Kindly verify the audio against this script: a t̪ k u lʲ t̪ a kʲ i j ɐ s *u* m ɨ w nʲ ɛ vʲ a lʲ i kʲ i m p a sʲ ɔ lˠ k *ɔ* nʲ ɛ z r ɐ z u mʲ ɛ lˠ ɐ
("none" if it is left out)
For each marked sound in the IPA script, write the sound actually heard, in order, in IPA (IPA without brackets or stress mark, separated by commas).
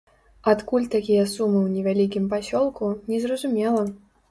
u, u